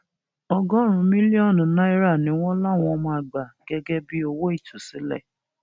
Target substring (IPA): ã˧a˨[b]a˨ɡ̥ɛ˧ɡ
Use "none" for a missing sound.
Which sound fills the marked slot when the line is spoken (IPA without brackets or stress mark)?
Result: ɡ͡b